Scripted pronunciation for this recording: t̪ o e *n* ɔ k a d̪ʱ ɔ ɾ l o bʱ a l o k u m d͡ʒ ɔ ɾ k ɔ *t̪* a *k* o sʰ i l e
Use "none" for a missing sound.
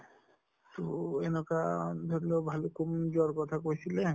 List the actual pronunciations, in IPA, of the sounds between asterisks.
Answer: n, t̪ʰ, k

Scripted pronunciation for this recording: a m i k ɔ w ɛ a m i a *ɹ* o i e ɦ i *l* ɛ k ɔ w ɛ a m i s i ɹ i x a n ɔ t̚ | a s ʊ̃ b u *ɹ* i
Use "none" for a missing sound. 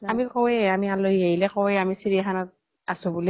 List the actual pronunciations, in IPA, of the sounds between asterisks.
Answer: l, l, l

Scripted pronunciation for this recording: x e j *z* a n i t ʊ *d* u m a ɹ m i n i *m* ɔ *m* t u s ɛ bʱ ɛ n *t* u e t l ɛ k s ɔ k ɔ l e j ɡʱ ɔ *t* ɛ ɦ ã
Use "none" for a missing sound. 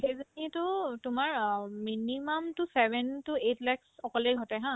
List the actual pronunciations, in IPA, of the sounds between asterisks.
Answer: z, t, m, m, t, t

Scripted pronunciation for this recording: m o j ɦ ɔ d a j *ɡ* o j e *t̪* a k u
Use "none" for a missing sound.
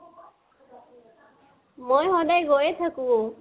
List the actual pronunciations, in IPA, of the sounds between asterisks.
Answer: ɡ, t̪ʰ

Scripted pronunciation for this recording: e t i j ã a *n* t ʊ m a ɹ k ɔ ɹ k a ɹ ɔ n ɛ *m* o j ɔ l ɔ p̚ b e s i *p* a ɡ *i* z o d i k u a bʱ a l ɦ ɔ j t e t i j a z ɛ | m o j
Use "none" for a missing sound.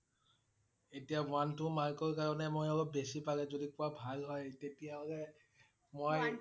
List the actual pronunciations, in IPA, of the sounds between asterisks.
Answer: n, m, p, ɛ

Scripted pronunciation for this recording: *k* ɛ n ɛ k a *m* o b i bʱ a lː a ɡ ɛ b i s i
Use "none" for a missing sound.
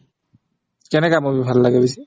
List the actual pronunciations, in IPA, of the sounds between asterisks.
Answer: k, m

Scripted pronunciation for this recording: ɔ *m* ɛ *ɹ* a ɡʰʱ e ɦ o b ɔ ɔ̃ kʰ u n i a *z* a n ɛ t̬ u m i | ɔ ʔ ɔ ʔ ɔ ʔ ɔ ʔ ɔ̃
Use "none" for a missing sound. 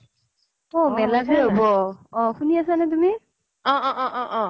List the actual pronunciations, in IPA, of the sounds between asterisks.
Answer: m, l, s

